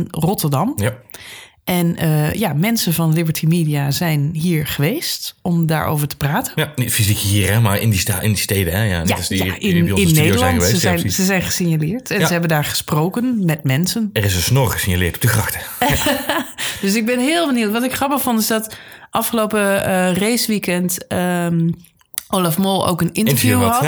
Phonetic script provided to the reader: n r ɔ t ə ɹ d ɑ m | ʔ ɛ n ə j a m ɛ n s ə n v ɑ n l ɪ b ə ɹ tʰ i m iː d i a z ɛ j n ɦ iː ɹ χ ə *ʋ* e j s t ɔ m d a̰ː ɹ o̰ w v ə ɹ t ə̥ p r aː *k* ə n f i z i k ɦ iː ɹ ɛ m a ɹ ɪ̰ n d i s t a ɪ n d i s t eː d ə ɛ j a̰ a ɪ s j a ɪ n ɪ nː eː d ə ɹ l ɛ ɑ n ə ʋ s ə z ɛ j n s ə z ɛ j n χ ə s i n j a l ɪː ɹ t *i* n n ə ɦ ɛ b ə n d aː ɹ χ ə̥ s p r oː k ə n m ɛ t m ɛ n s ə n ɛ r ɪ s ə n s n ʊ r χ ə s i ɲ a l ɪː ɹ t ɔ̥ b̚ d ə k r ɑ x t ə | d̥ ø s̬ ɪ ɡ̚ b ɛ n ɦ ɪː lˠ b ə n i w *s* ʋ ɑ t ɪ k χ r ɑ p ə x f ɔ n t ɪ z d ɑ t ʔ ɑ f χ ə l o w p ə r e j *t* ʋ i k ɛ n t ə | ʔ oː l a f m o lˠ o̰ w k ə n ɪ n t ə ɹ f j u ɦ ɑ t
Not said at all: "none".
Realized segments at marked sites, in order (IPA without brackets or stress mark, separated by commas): ʋ, t, ɛ, t, s